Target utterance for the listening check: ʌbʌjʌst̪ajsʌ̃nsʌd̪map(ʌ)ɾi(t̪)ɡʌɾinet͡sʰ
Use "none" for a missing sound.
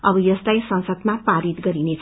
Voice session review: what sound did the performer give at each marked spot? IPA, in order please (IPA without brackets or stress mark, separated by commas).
a, t̪